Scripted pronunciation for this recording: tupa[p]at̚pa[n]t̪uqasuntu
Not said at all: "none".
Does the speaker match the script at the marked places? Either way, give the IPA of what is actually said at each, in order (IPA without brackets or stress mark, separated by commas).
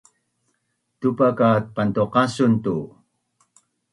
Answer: k, n